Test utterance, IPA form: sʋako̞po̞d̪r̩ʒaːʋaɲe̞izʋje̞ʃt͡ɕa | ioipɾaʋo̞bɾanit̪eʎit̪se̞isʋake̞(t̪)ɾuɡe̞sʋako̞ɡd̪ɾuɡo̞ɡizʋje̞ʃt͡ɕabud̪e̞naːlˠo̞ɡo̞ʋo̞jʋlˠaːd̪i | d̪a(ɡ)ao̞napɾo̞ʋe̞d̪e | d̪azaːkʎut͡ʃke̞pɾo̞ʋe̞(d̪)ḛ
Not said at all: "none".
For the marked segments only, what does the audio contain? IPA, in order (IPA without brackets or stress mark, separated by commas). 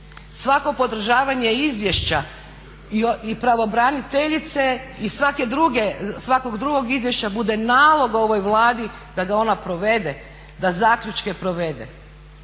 d̪, ɡ, d̪